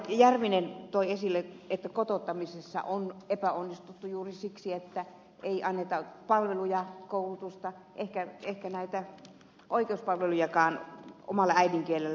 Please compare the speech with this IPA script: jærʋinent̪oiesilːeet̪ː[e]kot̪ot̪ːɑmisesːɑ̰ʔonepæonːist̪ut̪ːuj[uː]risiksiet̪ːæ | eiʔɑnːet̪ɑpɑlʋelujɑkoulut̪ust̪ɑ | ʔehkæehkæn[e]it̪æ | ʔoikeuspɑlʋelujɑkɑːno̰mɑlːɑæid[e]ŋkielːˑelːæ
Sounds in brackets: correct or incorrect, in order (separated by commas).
incorrect, correct, incorrect, incorrect